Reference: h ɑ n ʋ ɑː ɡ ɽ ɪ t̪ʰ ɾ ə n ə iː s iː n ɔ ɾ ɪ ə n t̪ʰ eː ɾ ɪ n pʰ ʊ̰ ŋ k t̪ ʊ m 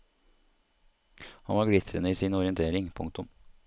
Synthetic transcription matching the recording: h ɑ n ʋ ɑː ɡ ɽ ɪ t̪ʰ ɾ ə n ə iː s iː n ɔ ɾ ɪ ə n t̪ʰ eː ɾ ɪ ŋ pʰ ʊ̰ ŋ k t̪ ʊ m